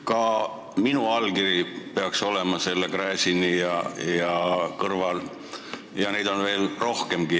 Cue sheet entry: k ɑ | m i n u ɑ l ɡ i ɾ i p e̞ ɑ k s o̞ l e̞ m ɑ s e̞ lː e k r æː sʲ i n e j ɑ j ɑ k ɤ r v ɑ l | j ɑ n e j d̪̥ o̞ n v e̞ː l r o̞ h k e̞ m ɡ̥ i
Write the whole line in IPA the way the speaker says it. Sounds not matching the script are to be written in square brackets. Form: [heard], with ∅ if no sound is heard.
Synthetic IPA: k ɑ | m i n u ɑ l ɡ i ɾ i p e̞ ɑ k s o̞ l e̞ m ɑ s e̞ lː e k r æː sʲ i n [i] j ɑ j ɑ k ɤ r v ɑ l | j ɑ n e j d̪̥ o̞ n v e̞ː l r o̞ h k e̞ m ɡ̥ i

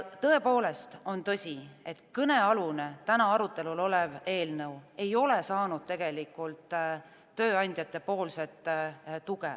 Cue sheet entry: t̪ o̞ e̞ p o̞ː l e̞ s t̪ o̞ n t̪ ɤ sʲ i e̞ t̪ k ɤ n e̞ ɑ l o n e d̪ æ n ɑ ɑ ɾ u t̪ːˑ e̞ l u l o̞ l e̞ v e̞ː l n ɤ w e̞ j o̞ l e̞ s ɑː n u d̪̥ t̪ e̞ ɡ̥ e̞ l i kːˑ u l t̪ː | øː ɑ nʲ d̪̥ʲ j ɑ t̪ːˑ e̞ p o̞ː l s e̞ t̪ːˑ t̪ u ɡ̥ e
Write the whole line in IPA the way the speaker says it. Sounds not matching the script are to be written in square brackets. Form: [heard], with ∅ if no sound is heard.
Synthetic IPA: t̪ [ɤ̞] e̞ p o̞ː l e̞ s t̪ o̞ n t̪ ɤ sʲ i e̞ t̪ k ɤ n e̞ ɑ l [u] n e [t̪] æ n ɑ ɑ ɾ u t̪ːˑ e̞ l u l o̞ l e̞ v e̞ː l n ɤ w e̞ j o̞ l e̞ s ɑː n u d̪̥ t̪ e̞ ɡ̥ e̞ l i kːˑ u l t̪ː | øː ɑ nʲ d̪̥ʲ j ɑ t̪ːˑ e̞ p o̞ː l s e̞ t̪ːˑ t̪ u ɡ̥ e

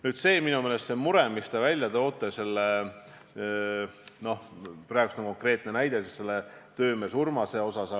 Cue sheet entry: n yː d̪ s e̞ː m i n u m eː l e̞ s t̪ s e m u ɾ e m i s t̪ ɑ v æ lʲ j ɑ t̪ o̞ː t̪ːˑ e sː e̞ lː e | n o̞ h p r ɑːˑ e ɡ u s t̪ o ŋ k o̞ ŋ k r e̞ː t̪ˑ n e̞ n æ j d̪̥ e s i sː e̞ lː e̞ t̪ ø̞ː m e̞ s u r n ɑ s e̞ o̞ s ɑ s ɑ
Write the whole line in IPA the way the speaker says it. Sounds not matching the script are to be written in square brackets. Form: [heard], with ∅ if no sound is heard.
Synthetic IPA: n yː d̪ s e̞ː m i n u m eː l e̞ s t̪ s e m u ɾ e m i s t̪ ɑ v æ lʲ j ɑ t̪ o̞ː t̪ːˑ e [s] e̞ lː e | n o̞ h p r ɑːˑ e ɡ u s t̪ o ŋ k o̞ ŋ k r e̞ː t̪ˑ n e̞ n æ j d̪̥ e s i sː e̞ lː e̞ t̪ ø̞ː m e̞ s u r [m] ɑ s e̞ o̞ s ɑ s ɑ

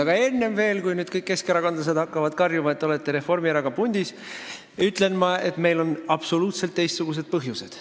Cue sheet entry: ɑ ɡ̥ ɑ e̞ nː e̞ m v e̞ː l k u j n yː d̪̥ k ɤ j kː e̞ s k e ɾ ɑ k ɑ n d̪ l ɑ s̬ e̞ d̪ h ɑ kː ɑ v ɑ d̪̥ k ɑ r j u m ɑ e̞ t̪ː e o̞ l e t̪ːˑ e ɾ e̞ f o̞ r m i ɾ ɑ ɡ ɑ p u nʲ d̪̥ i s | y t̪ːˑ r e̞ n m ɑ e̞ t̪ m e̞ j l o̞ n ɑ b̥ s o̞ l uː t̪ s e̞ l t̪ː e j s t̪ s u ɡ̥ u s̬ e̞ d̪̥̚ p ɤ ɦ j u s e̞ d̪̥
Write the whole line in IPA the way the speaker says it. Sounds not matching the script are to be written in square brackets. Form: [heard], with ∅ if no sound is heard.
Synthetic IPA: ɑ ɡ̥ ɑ e̞ nː e̞ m v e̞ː l k u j n yː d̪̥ k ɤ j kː e̞ s k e ɾ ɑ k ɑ n d̪ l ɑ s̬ e̞ d̪ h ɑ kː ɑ v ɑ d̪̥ k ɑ r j u m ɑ e̞ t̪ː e o̞ l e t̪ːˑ e ɾ e̞ f o̞ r m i ɾ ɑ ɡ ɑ p u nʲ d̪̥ i s | y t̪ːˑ [l] e̞ n m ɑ e̞ t̪ m e̞ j l o̞ n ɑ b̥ s o̞ l uː t̪ s e̞ l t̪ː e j s t̪ s u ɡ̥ u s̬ e̞ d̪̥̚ p ɤ ɦ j u s e̞ d̪̥

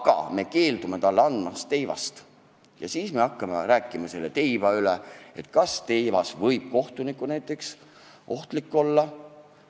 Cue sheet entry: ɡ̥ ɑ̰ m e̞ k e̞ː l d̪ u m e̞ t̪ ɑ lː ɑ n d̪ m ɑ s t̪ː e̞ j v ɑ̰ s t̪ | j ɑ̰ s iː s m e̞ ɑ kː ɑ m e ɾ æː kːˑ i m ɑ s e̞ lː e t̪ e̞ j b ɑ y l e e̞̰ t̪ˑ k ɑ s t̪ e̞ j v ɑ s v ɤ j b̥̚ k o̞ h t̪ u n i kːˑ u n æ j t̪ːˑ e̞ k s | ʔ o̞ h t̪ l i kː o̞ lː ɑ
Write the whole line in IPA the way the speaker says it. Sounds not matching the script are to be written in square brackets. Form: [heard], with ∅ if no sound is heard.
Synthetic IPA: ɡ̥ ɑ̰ m e̞ k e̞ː l d̪ u m e̞ t̪ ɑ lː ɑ n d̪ m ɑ s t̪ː e̞ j v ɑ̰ s t̪ | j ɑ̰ s iː s m e̞ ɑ kː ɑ m e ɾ æː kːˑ i m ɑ s e̞ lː e t̪ e̞ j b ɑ y l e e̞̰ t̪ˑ k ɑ s t̪ e̞ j v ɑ s v ɤ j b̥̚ k o̞ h t̪ u n i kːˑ u n æ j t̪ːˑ e̞ k s | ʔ o̞ h t̪ l i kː o̞ lː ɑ

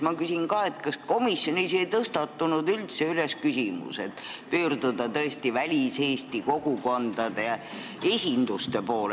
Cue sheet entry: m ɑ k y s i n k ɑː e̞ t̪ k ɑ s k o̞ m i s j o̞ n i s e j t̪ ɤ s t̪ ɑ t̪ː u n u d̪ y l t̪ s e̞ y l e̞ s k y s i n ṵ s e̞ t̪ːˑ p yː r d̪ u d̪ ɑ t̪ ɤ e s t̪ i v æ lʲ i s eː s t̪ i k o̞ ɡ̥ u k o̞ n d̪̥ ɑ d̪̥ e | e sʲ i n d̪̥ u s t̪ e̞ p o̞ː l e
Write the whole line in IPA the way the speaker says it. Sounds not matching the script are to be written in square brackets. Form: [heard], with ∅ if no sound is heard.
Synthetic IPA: m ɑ k y s i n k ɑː e̞ t̪ k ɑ s k o̞ m i s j o̞ n i s e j t̪ ɤ s t̪ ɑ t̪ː u n u d̪ y l t̪ s e̞ y l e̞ s k y s i [m] ṵ s e̞ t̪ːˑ p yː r d̪ u d̪ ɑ t̪ ɤ e s t̪ i v æ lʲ i s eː s t̪ i k o̞ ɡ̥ u k o̞ n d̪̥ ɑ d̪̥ e | e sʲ i n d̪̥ u s t̪ e̞ p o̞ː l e

